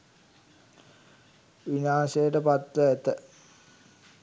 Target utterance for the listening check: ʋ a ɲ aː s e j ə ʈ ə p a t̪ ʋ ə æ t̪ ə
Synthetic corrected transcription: ʋ i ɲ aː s e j ə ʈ ə p a t̪ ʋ ə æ t̪ ə